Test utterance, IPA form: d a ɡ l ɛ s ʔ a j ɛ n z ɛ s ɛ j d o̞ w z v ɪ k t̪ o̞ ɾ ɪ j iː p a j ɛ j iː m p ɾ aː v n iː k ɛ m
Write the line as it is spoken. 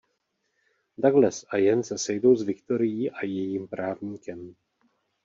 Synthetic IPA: d a ɡ l ɛ s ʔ a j ɛ n s ɛ s ɛ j d o̞ w z v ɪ k t̪ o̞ ɾ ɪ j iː ʔ a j ɛ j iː m p ɾ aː v ɲ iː k ɛ m